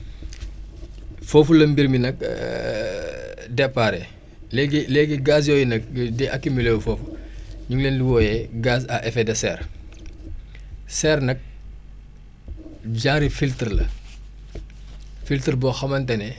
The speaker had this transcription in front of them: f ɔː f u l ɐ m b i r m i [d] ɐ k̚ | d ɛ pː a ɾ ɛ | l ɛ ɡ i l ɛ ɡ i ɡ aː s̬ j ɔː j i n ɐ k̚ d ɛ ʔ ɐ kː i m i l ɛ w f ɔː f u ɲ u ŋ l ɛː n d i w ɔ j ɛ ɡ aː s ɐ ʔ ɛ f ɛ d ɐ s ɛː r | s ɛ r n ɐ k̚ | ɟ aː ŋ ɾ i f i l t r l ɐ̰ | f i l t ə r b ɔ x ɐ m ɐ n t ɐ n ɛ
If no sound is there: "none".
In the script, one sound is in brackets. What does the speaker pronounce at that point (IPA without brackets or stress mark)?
n